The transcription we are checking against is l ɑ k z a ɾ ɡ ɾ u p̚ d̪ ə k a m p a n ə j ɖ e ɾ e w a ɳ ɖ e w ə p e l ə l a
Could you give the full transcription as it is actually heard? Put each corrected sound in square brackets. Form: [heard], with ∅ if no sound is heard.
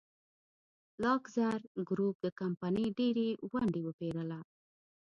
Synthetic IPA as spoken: l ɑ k z a ɾ ɡ ɾ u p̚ d̪ ə k a m p a n ə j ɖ e ɾ e w a ɳ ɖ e w ə p e [ɾ] ə l a